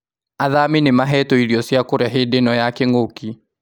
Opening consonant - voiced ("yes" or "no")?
yes